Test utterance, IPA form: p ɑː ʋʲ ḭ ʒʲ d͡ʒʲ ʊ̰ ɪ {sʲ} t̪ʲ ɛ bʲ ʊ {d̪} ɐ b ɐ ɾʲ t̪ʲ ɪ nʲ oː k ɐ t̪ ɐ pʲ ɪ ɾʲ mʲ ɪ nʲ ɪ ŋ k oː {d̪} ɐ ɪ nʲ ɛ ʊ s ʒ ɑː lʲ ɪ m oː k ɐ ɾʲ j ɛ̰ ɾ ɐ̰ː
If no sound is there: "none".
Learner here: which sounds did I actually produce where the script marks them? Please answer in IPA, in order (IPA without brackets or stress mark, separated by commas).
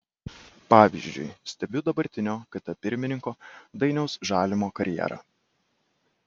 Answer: sʲ, d̪, d̪